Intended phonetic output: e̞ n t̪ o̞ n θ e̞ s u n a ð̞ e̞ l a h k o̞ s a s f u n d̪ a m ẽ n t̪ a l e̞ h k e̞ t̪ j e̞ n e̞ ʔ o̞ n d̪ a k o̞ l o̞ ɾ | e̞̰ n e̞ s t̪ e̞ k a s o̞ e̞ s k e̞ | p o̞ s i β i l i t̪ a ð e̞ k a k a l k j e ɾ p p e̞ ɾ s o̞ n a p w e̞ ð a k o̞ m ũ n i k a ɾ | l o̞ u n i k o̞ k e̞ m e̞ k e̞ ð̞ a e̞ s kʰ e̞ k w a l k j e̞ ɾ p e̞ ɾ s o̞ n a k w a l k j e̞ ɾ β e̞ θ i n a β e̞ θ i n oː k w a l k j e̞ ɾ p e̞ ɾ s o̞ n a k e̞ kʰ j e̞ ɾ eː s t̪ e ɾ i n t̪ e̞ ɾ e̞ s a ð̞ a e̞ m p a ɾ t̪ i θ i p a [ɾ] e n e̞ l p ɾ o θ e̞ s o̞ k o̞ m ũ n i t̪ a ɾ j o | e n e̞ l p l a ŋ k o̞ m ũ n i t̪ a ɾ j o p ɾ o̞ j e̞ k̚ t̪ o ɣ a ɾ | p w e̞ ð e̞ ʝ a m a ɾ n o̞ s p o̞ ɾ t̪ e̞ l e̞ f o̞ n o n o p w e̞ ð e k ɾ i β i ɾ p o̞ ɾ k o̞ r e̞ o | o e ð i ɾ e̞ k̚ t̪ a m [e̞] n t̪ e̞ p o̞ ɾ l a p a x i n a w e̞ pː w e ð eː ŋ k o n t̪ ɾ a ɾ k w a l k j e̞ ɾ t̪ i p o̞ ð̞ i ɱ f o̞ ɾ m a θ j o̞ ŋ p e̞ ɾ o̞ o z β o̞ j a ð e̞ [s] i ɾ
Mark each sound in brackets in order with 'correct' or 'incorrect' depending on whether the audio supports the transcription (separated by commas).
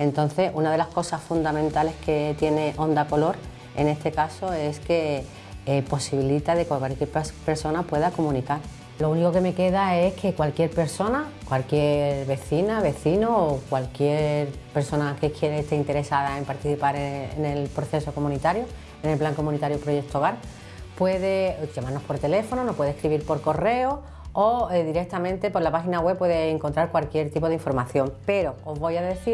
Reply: correct, incorrect, incorrect